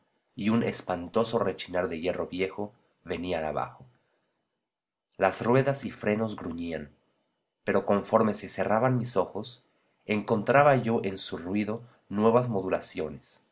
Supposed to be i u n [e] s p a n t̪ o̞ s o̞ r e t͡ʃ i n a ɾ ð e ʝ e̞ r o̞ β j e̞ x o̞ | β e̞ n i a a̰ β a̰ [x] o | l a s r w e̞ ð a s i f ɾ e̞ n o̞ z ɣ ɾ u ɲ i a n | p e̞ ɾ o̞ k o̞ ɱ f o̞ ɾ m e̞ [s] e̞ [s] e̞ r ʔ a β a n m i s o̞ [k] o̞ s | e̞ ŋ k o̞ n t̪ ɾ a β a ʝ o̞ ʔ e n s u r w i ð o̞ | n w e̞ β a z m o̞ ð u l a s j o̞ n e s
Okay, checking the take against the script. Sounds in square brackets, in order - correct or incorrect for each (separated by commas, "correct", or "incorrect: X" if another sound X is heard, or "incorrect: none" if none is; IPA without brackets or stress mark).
correct, correct, correct, correct, incorrect: x